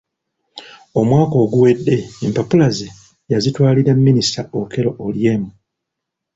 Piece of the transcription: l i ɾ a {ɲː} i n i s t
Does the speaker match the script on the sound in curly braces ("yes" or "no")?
no